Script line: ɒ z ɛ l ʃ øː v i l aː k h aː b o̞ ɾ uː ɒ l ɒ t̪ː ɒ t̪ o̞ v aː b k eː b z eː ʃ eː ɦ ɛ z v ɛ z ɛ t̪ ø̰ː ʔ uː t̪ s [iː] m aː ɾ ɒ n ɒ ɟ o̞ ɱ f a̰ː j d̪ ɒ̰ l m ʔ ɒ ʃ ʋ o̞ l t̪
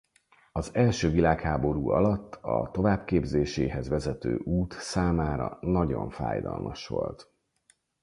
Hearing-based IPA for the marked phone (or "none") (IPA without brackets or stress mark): aː